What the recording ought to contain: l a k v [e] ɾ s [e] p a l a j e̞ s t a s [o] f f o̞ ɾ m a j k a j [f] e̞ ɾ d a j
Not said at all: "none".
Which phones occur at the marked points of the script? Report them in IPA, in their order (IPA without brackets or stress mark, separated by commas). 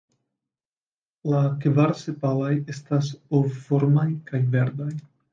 a, e, o, v